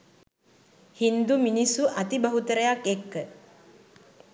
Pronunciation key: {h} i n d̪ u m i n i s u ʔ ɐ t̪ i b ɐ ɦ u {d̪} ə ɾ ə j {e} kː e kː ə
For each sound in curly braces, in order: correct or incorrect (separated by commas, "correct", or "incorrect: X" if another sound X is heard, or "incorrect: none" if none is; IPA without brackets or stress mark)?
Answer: correct, incorrect: t̪, incorrect: a